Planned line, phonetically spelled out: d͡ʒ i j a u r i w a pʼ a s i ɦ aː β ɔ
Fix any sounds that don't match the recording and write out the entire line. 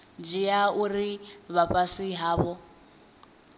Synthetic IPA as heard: d͡ʒ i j a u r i β a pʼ a s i ɦ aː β ɔ